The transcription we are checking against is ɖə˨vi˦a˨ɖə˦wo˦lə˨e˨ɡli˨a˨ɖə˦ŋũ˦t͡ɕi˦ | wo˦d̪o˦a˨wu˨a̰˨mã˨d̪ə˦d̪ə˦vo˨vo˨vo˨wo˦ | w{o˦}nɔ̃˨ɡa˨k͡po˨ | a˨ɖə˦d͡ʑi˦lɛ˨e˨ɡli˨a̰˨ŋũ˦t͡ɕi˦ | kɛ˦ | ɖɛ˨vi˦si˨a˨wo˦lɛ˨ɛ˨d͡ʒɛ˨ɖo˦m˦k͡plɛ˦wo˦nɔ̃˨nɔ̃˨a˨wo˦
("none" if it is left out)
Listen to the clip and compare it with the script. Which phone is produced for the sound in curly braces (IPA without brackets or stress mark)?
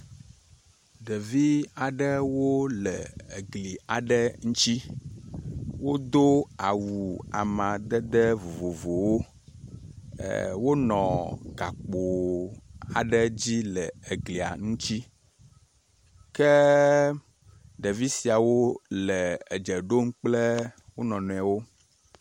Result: o˦